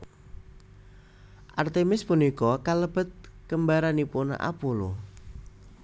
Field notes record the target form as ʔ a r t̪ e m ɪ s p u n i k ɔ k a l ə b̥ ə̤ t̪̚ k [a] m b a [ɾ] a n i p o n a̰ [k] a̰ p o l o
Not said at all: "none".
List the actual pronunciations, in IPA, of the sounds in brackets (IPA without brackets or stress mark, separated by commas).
ə, ɾ, ʔ